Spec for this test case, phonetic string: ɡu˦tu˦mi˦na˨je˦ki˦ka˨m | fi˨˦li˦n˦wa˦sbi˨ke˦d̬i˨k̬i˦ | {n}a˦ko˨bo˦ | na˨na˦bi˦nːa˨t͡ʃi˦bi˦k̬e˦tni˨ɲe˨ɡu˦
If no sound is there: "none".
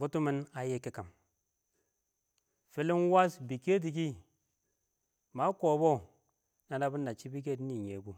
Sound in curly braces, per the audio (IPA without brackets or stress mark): m